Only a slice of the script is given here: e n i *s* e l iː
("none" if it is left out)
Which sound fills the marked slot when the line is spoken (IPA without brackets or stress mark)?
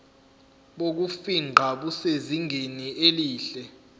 none